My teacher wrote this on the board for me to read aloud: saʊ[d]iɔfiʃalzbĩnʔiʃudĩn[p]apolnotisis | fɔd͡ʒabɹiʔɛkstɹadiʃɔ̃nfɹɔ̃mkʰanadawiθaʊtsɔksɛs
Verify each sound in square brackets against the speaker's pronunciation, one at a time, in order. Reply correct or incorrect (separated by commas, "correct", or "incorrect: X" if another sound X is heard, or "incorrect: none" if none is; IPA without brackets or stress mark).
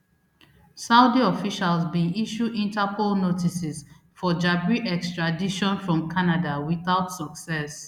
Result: correct, incorrect: t